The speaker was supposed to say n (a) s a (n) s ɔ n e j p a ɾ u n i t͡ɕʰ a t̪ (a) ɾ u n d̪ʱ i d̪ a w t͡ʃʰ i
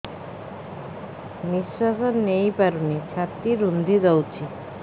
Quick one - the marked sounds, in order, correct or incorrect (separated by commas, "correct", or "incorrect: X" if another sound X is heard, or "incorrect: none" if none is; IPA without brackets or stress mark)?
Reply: incorrect: i, incorrect: none, incorrect: i